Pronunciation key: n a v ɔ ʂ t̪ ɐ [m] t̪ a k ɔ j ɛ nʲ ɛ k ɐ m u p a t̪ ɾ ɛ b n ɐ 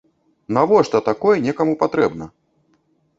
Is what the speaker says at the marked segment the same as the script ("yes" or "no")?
no